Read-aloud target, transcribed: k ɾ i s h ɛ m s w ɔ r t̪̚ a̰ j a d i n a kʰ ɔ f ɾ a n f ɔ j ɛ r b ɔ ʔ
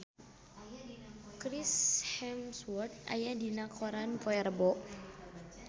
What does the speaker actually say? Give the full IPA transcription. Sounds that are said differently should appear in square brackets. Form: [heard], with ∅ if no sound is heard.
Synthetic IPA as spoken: k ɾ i s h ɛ m s w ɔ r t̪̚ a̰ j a d i n a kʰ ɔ [∅] ɾ a n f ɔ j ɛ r b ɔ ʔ